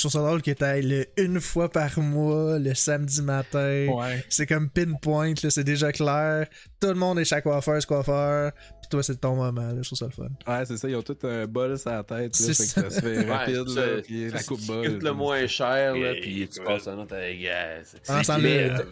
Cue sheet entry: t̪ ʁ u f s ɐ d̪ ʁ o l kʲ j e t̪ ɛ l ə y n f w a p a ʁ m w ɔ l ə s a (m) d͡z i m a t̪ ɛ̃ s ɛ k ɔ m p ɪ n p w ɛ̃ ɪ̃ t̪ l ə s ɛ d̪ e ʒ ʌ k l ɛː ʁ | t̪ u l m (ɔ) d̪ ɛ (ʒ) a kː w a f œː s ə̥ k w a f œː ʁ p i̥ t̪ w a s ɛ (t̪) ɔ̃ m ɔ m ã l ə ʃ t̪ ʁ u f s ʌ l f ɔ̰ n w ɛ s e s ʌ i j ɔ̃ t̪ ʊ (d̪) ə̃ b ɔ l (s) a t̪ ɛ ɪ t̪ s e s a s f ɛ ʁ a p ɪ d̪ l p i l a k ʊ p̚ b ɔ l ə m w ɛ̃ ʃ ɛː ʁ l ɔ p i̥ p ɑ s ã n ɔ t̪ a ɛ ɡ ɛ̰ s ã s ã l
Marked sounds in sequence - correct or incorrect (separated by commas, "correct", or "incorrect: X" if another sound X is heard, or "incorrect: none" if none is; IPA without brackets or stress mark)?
correct, incorrect: ɔ̃, incorrect: ʃ, correct, incorrect: t̪, correct